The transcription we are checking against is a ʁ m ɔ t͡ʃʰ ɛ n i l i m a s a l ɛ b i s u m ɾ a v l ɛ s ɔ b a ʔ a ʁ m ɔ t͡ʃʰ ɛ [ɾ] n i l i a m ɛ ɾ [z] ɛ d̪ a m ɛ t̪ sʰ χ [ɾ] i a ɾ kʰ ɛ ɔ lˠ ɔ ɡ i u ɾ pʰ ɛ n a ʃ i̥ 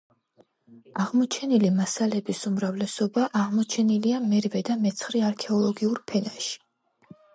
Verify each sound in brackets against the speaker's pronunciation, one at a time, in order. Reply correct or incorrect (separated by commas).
incorrect, incorrect, correct